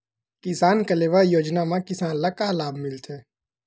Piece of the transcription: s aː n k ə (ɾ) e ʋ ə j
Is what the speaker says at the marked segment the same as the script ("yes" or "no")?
no